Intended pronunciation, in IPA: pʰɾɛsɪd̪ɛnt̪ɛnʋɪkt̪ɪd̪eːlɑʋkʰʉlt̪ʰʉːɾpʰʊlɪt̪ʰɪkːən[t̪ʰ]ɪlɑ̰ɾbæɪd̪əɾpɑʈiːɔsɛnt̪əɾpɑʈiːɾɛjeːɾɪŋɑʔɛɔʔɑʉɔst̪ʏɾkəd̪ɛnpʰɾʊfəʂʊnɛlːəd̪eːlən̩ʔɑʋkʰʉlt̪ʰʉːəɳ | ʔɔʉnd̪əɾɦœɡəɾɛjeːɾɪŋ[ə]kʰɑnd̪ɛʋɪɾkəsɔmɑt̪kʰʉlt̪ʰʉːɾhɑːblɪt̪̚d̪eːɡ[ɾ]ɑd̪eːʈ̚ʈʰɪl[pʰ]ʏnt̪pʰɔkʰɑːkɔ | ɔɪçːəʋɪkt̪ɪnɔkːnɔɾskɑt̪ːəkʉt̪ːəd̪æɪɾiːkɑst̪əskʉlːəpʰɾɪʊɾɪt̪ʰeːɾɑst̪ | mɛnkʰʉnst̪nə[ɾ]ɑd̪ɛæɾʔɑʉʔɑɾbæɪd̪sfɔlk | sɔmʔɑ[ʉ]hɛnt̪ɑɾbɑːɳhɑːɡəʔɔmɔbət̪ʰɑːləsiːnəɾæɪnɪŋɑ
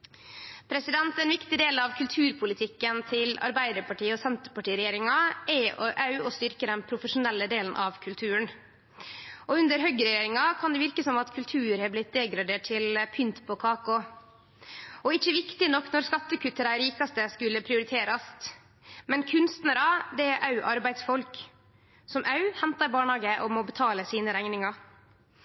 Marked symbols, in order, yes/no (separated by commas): yes, no, yes, yes, yes, yes